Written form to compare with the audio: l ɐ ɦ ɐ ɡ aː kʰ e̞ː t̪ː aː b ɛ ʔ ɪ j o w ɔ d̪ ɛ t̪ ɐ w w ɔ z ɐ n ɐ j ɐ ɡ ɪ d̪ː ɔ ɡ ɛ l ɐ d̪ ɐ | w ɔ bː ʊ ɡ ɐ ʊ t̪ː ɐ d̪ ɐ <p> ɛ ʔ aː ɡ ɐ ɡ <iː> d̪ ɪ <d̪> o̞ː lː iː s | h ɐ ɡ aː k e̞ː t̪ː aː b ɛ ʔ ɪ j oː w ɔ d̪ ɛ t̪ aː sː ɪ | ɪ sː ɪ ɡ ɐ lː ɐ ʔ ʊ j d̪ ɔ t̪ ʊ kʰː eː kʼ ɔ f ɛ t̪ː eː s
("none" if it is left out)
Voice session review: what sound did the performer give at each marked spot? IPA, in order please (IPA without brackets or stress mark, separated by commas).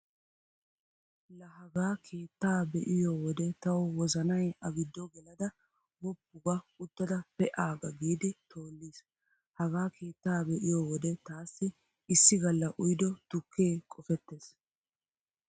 p, iː, t̪